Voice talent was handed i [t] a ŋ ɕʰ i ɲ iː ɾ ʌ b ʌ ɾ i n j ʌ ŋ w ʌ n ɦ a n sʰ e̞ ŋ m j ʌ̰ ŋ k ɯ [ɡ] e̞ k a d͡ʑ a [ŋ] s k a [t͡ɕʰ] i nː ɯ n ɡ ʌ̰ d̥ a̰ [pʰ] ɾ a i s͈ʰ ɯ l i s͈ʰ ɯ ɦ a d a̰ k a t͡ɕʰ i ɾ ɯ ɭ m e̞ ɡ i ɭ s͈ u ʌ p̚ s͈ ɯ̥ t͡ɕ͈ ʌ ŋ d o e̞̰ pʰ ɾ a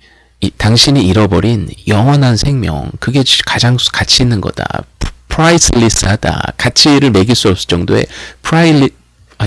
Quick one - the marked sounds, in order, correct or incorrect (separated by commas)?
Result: correct, correct, correct, correct, correct